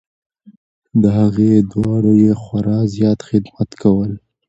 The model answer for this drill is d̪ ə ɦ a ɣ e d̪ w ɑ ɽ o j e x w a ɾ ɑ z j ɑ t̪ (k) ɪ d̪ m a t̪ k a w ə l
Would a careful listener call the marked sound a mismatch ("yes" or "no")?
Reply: yes